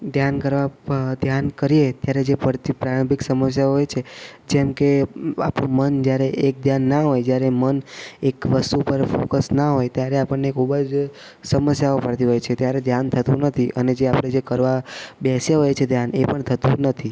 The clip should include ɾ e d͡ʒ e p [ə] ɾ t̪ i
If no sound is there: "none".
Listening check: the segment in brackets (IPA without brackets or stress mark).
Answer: ə